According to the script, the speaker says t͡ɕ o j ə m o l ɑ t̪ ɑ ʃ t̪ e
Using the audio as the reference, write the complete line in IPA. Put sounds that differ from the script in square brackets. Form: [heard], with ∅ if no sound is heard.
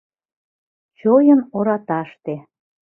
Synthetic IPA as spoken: t͡ɕ o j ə [n] o [ɾ] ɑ t̪ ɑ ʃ t̪ e